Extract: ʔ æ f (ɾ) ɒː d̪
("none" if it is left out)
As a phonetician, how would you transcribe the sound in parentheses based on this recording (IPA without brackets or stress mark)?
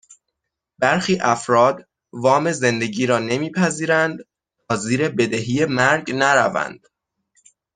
ɾ